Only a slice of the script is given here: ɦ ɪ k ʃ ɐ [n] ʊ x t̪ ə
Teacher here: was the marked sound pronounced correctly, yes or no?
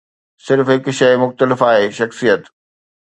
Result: no